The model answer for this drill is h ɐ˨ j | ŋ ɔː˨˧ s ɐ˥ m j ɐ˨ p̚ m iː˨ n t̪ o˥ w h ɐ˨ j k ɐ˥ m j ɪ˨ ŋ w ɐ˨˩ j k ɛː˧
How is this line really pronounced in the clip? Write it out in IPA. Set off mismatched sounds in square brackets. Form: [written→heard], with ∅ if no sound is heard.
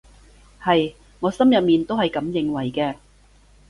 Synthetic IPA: h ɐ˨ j | ŋ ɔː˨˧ s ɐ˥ m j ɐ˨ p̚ m iː˨ n t̪ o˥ w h ɐ˨ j k [ɐ˥→ɐ˨˥] m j ɪ˨ ŋ w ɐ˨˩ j k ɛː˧